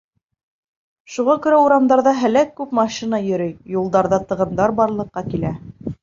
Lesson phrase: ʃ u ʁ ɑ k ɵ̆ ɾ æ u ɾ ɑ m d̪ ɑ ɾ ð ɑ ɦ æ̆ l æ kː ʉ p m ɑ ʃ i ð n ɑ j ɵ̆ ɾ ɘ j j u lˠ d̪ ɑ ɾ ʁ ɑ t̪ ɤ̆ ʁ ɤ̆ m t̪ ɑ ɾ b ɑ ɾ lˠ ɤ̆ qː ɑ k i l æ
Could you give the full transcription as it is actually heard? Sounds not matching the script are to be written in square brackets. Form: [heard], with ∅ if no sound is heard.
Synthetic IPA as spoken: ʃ u ʁ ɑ k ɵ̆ ɾ æ u ɾ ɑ m d̪ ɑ ɾ ð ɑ ɦ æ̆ l æ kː ʉ p m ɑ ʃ i [∅] n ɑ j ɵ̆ ɾ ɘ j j u lˠ d̪ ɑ ɾ [ð] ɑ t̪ ɤ̆ ʁ ɤ̆ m [d̪] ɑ ɾ b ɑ ɾ lˠ ɤ̆ qː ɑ k i l æ